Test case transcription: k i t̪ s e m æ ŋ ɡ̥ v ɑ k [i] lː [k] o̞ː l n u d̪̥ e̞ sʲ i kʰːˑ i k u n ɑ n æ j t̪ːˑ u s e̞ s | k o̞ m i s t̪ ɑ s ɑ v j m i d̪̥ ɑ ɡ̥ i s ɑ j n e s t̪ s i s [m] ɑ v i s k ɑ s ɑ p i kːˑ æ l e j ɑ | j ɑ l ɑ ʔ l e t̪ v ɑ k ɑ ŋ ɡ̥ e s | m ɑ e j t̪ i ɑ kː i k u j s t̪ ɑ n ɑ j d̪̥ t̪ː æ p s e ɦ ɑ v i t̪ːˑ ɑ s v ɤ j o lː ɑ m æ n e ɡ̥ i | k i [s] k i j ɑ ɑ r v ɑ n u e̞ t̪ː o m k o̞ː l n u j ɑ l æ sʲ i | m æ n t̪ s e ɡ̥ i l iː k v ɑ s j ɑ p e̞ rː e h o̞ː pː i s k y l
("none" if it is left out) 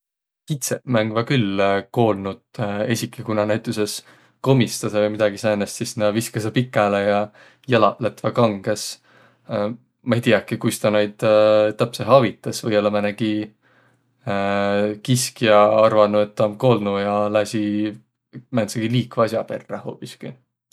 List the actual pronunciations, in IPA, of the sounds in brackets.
y, k, n, s

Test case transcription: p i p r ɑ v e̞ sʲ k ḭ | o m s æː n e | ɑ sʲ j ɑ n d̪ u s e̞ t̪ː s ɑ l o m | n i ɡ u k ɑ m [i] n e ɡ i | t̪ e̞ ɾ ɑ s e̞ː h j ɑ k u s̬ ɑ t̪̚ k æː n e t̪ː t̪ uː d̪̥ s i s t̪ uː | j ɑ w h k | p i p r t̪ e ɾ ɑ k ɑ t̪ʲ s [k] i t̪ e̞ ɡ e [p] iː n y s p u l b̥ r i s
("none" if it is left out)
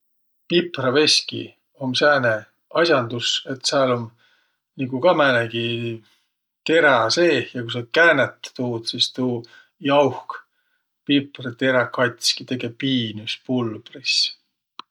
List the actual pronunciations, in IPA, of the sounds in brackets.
æ, k, p

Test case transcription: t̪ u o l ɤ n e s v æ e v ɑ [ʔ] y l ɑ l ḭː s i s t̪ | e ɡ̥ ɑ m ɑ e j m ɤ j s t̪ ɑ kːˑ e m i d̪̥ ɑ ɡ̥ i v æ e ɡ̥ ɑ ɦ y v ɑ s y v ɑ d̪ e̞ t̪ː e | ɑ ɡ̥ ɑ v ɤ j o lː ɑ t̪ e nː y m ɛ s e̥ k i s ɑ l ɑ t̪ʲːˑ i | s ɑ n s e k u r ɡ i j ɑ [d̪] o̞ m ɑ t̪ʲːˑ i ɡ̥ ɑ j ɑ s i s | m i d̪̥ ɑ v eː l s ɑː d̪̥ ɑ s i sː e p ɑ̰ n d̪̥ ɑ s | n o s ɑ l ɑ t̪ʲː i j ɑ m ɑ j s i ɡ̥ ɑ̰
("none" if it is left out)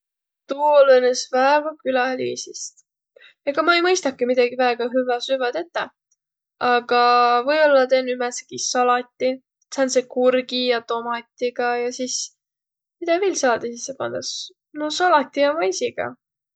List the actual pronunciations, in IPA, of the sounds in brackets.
k, t̪

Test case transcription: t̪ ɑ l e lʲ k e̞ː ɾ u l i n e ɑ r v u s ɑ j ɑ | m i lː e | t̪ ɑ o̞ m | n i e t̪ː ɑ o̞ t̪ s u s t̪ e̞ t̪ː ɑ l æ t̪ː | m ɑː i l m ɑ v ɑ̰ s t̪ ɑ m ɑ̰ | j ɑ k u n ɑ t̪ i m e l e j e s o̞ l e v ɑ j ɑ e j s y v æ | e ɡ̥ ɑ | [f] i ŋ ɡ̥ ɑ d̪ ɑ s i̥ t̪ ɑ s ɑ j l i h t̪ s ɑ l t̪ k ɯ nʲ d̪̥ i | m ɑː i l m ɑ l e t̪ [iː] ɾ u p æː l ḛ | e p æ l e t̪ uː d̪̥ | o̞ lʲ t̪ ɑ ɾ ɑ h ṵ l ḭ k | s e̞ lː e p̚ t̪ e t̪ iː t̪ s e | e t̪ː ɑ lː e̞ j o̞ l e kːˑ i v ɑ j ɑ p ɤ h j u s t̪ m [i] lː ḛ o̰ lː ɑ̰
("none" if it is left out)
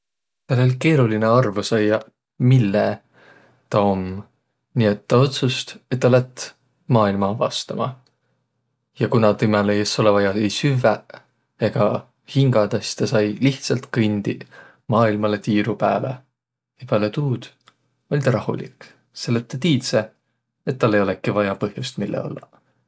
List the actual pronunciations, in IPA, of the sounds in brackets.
h, iː, i

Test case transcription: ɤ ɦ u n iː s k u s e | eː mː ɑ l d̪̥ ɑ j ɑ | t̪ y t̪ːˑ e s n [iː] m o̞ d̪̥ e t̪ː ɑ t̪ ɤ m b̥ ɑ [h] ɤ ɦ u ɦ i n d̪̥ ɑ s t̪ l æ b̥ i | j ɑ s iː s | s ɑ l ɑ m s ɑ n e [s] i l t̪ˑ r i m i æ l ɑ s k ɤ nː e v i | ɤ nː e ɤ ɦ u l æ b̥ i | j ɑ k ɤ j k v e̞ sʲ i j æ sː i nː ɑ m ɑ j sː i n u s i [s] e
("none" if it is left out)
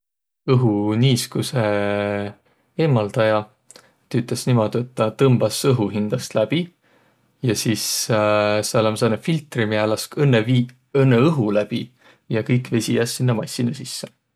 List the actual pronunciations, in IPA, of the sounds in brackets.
i, s, f, sː

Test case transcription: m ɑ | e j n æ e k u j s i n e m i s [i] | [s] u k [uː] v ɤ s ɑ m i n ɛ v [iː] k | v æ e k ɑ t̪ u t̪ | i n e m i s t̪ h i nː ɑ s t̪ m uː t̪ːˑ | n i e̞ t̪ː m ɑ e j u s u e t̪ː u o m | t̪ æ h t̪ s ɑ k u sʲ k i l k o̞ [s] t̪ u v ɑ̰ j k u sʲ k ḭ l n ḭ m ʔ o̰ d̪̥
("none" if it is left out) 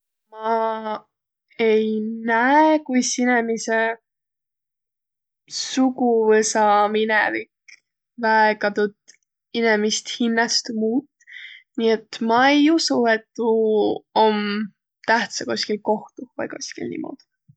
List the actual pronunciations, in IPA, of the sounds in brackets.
e, s, u, i, h

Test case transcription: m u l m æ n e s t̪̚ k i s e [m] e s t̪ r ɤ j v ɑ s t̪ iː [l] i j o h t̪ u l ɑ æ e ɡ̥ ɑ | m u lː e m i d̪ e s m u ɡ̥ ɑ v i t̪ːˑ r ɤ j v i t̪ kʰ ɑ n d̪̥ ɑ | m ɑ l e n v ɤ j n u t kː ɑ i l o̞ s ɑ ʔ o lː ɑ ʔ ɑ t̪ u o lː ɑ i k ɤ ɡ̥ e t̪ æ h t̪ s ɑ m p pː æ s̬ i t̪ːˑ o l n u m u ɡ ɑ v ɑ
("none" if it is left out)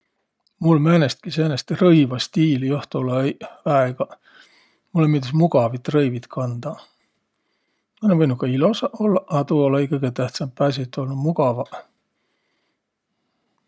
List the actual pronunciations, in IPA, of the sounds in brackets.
n, l

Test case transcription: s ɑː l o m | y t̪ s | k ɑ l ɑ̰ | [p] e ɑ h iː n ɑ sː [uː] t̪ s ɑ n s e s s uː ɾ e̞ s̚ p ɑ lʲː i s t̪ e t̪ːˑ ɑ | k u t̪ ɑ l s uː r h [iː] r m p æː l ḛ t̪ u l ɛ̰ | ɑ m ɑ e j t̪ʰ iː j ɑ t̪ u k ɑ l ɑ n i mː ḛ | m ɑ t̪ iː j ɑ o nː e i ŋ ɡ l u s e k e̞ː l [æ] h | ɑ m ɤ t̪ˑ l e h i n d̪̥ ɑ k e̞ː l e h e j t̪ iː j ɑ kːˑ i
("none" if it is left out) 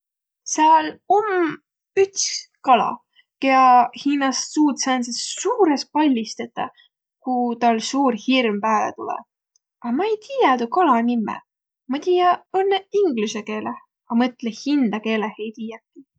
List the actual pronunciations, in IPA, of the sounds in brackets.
k, uː, i, e

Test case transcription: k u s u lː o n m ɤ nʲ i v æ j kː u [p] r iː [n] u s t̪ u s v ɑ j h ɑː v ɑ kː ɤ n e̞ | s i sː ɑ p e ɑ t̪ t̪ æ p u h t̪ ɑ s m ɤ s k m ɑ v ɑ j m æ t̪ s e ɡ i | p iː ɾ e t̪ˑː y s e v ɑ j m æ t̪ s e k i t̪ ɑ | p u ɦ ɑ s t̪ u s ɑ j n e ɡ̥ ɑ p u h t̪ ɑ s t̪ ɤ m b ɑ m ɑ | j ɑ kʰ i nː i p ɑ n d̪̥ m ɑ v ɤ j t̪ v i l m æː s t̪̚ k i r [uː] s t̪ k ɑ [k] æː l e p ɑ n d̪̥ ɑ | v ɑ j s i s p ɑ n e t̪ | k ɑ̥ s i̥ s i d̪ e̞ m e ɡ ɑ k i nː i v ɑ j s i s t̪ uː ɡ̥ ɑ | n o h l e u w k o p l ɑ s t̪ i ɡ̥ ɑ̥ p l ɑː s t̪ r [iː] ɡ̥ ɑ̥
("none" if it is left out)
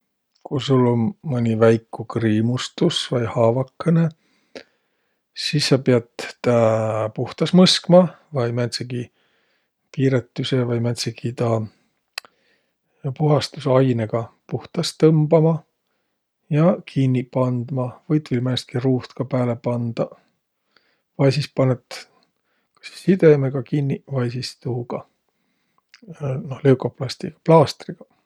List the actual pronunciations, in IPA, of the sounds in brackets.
k, m, uː, p, i

